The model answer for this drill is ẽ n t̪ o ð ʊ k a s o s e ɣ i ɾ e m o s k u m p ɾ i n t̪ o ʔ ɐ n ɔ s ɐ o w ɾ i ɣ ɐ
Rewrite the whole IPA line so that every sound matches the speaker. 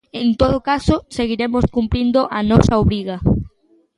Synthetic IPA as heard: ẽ n t̪ o ð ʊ k a s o s e ɣ i ɾ e m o s k u m p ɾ i n d̪ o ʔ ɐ n ɔ s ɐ o β ɾ i ɣ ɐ